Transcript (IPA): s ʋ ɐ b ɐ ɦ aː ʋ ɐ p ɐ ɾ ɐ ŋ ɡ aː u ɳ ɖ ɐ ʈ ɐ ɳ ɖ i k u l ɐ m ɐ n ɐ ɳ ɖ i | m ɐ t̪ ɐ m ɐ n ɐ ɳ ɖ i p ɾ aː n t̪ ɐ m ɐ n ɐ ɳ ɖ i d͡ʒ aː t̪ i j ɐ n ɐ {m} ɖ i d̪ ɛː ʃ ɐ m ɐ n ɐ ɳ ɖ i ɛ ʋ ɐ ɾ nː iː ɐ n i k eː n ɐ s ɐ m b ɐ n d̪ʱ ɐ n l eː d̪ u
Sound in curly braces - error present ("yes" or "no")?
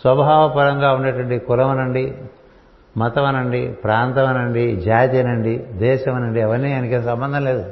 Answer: yes